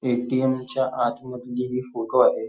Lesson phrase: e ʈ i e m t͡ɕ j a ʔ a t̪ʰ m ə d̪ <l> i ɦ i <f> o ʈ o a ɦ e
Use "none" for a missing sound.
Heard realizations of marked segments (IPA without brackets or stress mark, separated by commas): l, f